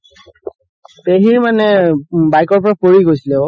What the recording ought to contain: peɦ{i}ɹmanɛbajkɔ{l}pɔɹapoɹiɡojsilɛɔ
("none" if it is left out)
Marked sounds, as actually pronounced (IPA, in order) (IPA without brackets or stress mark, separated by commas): i, ɹ